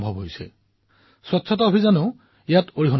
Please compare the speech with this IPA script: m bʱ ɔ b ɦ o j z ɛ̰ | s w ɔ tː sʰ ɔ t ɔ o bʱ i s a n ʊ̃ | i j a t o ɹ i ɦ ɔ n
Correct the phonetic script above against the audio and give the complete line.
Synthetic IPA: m bʱ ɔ b ɦ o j s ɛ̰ | s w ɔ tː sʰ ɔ t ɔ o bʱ i z a n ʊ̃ | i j a t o ɹ i ɦ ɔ n